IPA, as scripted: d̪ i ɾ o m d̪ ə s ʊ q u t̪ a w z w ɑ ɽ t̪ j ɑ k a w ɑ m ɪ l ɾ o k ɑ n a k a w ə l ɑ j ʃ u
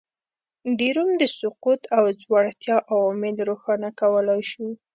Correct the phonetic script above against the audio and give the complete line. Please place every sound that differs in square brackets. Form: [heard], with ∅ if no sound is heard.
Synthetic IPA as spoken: d̪ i ɾ [u] m d̪ ə s ʊ q u t̪ a w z w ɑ ɽ t̪ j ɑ [ʔ] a w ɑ m ɪ l ɾ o [x] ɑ n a k a w ə l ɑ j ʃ u